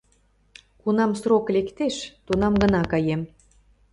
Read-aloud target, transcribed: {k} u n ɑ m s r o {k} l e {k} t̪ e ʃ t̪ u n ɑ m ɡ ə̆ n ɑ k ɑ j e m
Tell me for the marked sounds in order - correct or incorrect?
correct, correct, correct

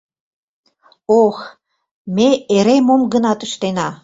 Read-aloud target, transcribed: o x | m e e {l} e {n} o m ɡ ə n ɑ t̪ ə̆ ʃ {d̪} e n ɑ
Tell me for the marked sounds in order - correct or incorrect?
incorrect: ɾ, incorrect: m, incorrect: t̪

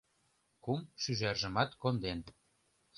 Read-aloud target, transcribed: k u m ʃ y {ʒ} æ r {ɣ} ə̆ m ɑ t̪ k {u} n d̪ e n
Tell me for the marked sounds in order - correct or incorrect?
correct, incorrect: ʒ, incorrect: o

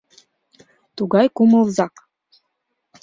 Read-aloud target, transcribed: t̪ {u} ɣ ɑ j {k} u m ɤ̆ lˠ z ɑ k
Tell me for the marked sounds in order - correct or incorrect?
correct, correct

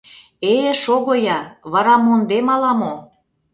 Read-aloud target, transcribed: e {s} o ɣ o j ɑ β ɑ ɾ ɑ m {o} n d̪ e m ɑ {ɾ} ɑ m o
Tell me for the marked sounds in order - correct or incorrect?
incorrect: ʃ, correct, incorrect: l

